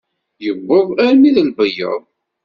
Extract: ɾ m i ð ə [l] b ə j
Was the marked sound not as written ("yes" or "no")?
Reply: no